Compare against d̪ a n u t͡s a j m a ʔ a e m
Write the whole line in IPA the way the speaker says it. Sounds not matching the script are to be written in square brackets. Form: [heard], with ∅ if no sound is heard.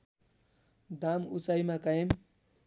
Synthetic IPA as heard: d̪ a [m] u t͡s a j m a [k] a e m